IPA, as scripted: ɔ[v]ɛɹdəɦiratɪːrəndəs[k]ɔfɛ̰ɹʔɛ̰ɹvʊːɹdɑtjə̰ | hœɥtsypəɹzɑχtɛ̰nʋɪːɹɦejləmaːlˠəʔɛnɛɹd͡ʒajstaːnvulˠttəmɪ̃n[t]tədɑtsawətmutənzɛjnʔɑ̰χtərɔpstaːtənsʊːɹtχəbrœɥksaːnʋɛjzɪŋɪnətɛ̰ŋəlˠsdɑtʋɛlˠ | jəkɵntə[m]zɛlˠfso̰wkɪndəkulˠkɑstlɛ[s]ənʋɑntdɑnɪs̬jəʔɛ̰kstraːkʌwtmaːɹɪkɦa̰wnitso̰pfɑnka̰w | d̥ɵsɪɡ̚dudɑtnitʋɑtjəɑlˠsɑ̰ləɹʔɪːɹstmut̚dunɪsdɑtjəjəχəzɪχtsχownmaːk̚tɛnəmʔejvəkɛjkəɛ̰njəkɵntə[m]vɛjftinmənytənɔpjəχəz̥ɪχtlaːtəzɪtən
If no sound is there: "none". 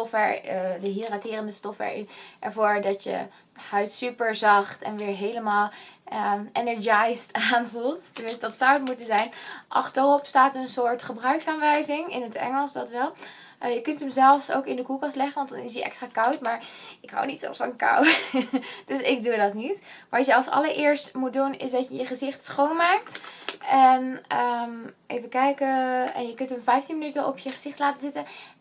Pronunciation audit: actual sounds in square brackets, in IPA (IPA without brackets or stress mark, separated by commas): f, t, s, m, χ, m